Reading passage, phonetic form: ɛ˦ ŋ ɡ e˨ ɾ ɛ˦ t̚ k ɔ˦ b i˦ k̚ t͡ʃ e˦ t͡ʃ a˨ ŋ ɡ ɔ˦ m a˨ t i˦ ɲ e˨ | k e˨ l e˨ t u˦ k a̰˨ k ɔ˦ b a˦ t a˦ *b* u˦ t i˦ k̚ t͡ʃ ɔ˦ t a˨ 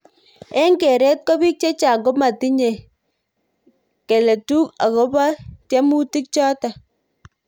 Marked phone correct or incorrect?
incorrect